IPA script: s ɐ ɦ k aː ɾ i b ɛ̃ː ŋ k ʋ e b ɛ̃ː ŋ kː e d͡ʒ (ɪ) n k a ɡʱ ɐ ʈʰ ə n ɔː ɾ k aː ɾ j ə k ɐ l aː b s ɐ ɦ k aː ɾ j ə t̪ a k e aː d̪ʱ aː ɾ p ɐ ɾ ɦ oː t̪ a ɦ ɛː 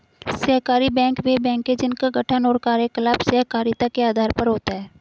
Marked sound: correct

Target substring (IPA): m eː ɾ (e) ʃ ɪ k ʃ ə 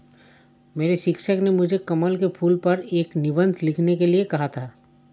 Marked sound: correct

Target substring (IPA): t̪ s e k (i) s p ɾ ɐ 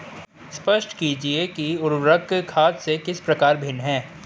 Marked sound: incorrect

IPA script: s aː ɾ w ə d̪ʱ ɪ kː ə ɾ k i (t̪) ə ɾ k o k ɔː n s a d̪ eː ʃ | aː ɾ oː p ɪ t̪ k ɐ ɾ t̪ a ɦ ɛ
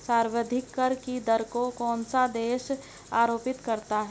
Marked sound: incorrect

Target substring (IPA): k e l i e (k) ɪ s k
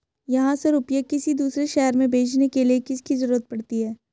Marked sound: correct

